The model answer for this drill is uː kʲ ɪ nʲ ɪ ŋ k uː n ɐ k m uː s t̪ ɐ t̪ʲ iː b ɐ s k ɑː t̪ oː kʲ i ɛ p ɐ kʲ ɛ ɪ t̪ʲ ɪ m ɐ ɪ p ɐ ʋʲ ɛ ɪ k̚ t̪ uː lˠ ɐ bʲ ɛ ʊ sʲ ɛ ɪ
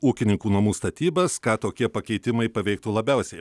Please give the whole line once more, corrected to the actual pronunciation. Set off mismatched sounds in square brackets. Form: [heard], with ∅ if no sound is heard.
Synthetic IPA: uː kʲ ɪ nʲ ɪ ŋ k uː n ɐ [∅] m uː s t̪ ɐ t̪ʲ iː b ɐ s k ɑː t̪ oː kʲ i ɛ p ɐ kʲ ɛ ɪ t̪ʲ ɪ m ɐ ɪ p ɐ ʋʲ ɛ ɪ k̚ t̪ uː lˠ ɐ bʲ ɛ ʊ sʲ ɛ ɪ